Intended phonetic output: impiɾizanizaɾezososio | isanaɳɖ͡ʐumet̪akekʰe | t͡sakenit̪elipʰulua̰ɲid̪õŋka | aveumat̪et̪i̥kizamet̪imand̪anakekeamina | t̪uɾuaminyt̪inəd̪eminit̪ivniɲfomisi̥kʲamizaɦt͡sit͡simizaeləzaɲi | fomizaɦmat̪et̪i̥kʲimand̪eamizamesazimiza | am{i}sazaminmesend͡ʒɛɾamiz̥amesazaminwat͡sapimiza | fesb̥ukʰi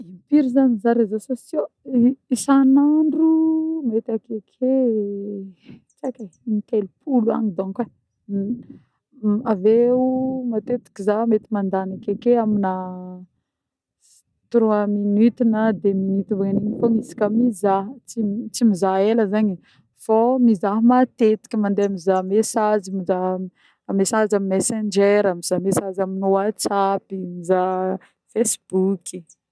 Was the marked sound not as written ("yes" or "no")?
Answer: yes